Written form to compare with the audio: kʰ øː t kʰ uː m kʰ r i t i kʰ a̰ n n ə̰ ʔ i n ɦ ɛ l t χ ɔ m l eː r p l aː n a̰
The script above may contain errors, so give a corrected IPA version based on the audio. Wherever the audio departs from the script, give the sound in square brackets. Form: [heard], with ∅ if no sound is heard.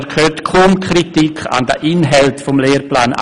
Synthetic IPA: kʰ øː t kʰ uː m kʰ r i t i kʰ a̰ n [d] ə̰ ʔ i n ɦ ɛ l t [f] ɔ m l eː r p l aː n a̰

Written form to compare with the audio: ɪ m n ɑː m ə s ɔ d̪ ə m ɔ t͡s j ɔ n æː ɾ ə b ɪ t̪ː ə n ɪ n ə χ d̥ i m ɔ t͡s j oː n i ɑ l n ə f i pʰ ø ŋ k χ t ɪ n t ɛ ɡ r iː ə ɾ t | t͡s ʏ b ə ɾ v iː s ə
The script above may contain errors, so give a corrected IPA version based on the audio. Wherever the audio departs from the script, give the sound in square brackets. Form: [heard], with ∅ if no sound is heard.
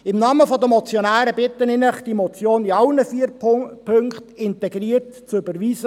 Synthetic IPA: ɪ m n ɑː m ə [f] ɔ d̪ ə m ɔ t͡s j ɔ n æː ɾ ə b ɪ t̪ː ə n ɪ n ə χ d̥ i m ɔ t͡s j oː n i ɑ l n ə f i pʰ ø ŋ k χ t ɪ n t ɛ ɡ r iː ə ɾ t | t͡s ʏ b ə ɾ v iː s ə

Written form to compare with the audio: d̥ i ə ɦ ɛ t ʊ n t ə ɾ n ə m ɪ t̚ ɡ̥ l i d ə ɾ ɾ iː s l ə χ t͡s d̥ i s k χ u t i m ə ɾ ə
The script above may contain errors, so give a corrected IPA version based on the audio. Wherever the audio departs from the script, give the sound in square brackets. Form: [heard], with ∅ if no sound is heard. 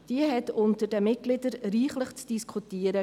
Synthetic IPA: d̥ i ə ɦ ɛ t ʊ n t ə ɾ [d] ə m ɪ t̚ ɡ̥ l [ɪ] d ə ɾ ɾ iː [χ] l ə χ t͡s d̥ i s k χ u t i [∅] ə ɾ ə

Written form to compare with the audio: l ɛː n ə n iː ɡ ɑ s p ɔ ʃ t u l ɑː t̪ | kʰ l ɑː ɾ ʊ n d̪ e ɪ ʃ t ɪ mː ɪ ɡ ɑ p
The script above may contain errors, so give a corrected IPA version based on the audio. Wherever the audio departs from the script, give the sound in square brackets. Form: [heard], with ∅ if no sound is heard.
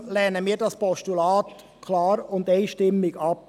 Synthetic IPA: l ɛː n ə [m] iː [d] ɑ s p ɔ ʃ t u l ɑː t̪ | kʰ l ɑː ɾ ʊ n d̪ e ɪ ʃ t ɪ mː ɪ ɡ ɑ p

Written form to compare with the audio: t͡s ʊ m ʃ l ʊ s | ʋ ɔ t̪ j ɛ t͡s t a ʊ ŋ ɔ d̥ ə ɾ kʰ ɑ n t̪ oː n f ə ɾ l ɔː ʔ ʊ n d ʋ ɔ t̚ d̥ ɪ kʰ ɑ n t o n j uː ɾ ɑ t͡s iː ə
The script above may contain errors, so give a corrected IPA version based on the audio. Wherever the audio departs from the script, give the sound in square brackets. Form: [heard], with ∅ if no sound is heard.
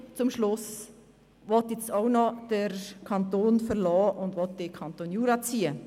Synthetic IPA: t͡s ʊ m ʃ l ʊ s | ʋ ɔ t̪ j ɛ t͡s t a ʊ [n] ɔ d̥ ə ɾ kʰ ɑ n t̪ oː n f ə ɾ l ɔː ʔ ʊ n d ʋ ɔ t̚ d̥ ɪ kʰ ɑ n t o n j uː ɾ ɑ t͡s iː ə

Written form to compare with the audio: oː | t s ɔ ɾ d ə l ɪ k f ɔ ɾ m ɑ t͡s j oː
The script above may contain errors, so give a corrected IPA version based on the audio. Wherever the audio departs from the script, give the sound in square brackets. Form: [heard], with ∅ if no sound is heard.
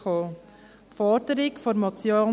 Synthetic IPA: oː | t [f] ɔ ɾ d ə [ɾ] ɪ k f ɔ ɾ m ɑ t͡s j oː

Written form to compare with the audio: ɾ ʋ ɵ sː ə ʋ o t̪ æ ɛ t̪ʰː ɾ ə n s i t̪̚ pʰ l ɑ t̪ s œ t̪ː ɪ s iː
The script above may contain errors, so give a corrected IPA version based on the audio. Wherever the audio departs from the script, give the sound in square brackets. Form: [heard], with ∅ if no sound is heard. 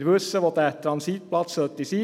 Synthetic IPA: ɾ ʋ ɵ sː ə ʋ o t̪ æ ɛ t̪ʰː ɾ [ɑ] n s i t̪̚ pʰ l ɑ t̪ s œ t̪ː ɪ s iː

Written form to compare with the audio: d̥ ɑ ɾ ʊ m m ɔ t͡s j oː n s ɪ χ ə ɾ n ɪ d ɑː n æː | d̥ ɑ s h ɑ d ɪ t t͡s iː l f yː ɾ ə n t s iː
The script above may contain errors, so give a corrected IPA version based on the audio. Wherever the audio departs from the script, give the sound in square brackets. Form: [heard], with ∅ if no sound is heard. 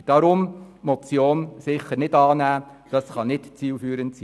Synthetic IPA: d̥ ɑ ɾ ʊ m m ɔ t͡s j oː n s ɪ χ ə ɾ n ɪ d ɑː n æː | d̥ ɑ s [χ] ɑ [n] ɪ t t͡s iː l f yː ɾ ə n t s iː

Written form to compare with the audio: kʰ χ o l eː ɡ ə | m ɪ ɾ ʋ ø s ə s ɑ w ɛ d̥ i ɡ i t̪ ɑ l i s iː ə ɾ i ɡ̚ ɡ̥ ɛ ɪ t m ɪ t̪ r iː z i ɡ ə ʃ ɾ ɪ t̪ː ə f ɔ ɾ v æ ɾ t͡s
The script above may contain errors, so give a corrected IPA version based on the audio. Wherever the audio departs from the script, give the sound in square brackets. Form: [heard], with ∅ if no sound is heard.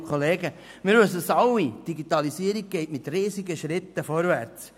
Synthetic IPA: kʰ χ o l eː ɡ ə | m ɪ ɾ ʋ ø s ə s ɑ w [i] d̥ i ɡ i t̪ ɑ l i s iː ə ɾ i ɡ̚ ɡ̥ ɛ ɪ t m ɪ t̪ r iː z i ɡ ə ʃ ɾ ɪ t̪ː ə f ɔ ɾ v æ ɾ t͡s

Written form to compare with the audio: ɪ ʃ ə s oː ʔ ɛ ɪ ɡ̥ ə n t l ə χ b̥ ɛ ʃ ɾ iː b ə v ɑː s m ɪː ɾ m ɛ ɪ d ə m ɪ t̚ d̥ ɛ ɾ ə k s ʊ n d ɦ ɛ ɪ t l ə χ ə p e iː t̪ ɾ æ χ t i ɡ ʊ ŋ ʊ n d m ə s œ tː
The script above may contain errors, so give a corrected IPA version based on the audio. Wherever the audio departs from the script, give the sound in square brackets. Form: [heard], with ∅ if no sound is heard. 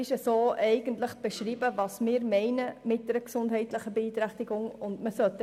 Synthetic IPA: ɪ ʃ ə s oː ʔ ɛ ɪ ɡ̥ ə n t l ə χ b̥ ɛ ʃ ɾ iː b ə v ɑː s m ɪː ɾ m ɛ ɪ [n] ə m ɪ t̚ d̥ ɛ ɾ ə k s ʊ n d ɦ ɛ ɪ t l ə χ ə [b] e iː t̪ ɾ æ χ t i ɡ ʊ ŋ ʊ n d m ə s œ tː

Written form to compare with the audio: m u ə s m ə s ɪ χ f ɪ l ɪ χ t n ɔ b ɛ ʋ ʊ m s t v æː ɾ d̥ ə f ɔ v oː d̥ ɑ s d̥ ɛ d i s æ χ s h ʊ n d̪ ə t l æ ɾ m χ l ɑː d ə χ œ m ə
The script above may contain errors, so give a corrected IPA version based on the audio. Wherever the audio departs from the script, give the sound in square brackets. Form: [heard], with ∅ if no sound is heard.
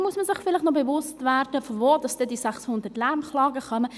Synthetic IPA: m u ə s m ə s ɪ χ f ɪ l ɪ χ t n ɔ b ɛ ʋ ʊ [∅] s t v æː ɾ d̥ ə f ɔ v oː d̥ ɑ s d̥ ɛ d i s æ χ s h ʊ n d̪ ə t l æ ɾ m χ l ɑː [ɡ] ə χ œ m ə

